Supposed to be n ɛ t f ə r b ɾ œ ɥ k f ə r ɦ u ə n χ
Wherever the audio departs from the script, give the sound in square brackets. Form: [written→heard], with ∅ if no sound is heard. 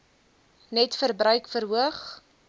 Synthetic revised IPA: n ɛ t f ə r b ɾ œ ɥ k f ə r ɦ u ə [n→∅] χ